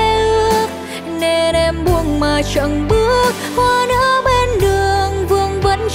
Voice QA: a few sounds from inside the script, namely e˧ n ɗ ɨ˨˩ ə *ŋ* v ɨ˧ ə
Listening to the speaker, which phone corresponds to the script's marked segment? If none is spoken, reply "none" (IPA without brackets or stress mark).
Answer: ŋ